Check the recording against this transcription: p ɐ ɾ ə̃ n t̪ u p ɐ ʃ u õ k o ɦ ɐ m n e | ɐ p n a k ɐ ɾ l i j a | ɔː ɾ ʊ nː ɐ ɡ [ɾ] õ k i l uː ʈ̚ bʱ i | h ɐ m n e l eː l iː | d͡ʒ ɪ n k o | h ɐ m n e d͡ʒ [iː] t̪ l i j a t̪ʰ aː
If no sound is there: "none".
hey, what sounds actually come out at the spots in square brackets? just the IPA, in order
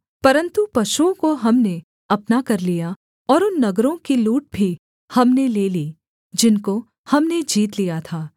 ɾ, iː

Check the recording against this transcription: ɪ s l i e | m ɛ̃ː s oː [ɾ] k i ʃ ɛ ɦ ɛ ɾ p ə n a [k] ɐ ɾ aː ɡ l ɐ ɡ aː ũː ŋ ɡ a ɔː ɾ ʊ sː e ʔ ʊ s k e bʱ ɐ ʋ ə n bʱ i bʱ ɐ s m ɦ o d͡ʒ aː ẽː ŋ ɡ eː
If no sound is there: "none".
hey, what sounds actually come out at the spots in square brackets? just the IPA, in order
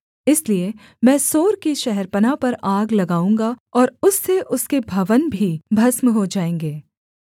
ɾ, p

